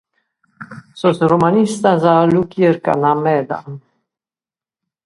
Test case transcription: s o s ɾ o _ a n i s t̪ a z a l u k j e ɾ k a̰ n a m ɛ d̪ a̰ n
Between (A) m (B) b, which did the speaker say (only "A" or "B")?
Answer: A